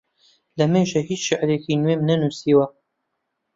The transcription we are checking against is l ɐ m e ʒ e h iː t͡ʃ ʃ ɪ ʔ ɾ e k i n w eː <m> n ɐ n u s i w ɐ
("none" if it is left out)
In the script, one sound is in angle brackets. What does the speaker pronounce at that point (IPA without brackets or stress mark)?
m